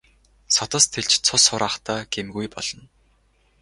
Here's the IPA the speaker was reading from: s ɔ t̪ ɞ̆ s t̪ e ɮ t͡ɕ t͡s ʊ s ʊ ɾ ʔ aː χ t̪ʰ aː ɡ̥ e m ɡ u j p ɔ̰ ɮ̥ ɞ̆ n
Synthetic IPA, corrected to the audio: s ɔ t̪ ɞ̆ s t̪ʰ e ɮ t͡ɕ t͡sʰ ʊ s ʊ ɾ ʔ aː χ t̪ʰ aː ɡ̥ e m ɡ u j p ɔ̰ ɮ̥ ɞ̆ n